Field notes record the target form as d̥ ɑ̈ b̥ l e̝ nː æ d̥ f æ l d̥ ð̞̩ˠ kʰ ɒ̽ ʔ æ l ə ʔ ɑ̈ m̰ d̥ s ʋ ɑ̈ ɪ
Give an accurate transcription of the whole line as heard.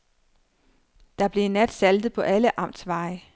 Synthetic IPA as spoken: d̥ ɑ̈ b̥ l e̝ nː æ d̥ s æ l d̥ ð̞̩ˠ pʰ ɒ̽ ʔ æ l ə ʔ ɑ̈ m̰ d̥ s ʋ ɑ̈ ɪ